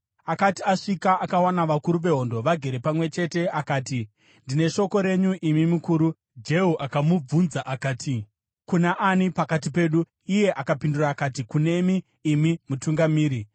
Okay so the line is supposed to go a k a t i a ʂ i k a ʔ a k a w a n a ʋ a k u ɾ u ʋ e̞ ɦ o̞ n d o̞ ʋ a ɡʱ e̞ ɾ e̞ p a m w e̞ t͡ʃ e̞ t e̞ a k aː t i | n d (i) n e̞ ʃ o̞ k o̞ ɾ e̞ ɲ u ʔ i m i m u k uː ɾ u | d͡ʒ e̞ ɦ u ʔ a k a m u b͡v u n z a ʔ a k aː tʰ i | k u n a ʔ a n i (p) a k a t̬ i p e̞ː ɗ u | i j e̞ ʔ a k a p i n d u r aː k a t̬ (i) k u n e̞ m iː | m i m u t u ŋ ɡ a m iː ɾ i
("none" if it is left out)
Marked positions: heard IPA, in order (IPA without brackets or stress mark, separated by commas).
i, p, i